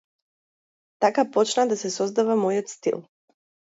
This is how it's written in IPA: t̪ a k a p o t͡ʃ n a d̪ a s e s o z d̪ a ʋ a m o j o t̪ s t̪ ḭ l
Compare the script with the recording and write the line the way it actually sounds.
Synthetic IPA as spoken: t̪ a k a p o t͡ʃ n a d̪ a s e s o z d̪ a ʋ a m o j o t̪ s t̪ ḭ l